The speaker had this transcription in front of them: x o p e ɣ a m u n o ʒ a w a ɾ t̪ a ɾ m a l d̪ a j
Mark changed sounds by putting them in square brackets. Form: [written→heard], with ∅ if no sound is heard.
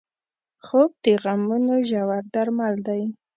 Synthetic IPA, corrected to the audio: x o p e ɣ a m u n o ʒ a w a ɾ [t̪→d̪] a ɾ m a l d̪ a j